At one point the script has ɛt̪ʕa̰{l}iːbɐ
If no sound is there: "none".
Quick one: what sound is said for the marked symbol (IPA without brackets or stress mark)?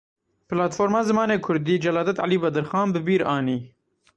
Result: l